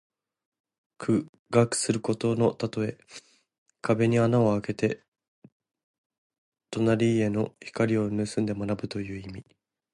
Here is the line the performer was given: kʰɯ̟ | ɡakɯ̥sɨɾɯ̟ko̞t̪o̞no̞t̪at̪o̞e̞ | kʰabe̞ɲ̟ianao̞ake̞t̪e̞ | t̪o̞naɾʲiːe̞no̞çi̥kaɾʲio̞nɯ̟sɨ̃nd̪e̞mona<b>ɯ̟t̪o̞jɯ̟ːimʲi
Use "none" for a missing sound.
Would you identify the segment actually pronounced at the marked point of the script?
b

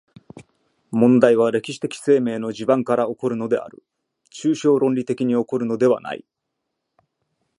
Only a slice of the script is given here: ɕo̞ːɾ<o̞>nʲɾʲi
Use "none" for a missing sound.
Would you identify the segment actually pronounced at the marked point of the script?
õ̞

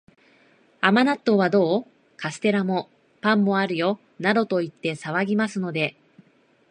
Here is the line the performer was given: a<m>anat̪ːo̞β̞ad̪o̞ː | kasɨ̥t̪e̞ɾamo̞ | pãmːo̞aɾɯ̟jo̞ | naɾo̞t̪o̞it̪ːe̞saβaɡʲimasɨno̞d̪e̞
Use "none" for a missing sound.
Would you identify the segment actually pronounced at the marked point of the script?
m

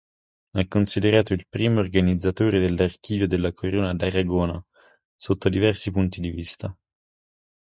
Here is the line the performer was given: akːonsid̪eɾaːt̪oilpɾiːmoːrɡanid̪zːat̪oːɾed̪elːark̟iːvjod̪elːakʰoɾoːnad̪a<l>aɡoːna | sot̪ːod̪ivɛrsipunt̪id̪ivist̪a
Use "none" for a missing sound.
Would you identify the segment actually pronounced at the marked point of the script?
ɾ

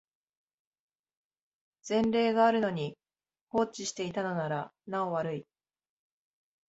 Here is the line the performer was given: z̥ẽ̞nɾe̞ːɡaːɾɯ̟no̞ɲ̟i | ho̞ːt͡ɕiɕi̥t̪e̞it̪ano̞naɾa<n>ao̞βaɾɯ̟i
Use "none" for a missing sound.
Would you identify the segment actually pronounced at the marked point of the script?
n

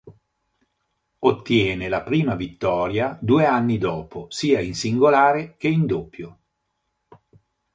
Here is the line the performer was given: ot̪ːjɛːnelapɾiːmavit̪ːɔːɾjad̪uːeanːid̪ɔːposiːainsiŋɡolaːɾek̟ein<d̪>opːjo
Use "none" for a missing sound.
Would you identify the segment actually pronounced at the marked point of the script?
d̪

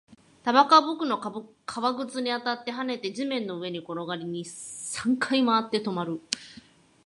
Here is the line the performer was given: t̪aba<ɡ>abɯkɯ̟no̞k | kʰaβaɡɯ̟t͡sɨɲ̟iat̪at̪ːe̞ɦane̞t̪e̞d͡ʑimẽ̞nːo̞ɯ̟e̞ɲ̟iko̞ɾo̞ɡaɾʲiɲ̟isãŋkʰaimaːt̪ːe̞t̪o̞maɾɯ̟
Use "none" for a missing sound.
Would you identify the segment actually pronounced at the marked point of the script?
k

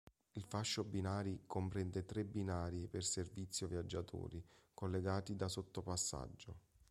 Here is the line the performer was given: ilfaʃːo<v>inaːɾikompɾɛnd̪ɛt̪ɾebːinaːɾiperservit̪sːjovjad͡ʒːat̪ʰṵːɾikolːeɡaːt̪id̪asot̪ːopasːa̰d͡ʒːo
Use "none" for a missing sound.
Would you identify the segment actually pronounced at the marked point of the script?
b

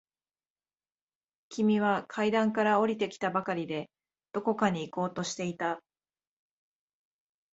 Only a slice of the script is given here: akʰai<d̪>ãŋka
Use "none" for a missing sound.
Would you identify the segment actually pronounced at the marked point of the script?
d̪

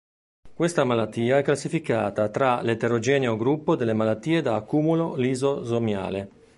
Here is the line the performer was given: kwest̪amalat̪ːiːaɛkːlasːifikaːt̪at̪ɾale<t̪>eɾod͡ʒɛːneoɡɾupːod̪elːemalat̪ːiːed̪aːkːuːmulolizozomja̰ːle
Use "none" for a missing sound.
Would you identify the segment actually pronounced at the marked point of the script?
t̪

